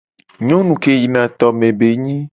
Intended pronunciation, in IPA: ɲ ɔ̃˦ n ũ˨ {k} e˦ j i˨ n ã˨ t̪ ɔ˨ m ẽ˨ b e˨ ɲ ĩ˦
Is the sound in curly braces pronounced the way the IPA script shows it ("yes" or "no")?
yes